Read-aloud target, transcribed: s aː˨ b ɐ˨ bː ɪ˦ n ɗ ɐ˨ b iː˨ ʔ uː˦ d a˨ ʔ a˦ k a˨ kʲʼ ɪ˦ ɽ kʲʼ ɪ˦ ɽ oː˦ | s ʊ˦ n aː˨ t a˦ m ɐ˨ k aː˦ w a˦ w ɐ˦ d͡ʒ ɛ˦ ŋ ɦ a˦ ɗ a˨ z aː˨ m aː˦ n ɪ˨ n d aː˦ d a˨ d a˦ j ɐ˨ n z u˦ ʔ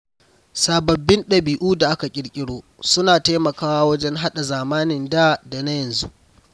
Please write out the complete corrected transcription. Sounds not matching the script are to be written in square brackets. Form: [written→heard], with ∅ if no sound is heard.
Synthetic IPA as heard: s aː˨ b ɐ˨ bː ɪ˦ n ɗ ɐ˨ b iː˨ ʔ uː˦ d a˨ ʔ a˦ k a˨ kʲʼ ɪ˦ ɽ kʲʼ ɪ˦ ɽ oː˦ | s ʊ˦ n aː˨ t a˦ m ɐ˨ k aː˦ w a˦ w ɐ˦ d͡ʒ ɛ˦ ŋ ɦ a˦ ɗ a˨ z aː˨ m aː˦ n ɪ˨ n d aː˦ d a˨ [d→n] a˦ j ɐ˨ n z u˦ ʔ